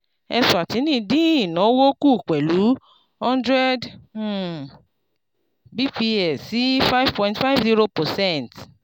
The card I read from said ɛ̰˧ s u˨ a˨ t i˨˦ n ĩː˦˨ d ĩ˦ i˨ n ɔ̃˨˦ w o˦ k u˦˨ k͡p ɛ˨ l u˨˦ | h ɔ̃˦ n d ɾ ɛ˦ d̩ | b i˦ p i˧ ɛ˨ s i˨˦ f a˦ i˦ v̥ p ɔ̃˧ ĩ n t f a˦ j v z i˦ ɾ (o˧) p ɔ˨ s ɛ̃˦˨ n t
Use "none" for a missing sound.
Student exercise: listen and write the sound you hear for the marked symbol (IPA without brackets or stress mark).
o˧